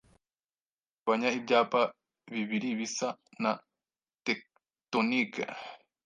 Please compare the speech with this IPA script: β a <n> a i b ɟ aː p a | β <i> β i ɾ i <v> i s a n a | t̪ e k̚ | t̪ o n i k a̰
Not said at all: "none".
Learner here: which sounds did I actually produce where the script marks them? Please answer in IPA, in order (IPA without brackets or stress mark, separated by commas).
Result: ɲ, i, β